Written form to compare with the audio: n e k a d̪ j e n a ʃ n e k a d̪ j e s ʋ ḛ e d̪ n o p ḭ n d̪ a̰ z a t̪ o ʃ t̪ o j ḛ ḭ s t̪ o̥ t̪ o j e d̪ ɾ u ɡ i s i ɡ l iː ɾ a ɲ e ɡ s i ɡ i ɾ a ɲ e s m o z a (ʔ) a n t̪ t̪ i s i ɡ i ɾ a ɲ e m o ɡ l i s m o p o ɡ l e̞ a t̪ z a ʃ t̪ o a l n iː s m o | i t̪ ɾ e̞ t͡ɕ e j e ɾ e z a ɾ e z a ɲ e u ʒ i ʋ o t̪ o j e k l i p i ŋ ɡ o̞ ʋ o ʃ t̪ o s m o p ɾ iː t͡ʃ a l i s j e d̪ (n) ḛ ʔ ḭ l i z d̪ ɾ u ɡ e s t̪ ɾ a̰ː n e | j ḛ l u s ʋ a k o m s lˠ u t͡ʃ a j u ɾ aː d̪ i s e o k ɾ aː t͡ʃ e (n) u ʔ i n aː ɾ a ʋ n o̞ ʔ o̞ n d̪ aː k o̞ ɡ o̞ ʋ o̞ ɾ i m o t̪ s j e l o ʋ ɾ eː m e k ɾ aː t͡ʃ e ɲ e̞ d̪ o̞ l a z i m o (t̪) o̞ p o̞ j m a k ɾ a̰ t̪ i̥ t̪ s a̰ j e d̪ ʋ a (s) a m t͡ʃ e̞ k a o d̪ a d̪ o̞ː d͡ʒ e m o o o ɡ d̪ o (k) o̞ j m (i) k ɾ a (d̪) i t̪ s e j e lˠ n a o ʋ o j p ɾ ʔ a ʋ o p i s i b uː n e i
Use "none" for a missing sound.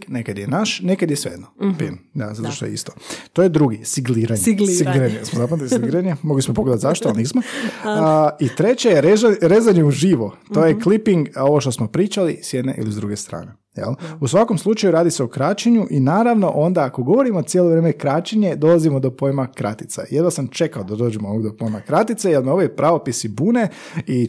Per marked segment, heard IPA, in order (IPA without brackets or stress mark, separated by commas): p, n, ɲ, d̪, s, p, a, t̪